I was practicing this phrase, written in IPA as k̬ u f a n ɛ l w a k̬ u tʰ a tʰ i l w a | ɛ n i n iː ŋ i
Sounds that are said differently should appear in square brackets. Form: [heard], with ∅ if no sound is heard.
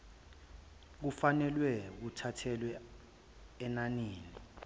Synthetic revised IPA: k̬ u f a n ɛ l w [ɛ] k̬ u tʰ a tʰ [ɛ] l w [ɛ] | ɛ n [a] n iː [n] i